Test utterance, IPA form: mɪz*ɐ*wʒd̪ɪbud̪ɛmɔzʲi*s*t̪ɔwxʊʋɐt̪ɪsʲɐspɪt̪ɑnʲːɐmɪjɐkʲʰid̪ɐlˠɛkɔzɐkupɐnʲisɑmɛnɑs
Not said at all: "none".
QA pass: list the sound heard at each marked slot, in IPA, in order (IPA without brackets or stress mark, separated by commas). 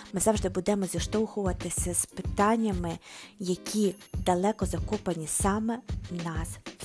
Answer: ɑ, ʃ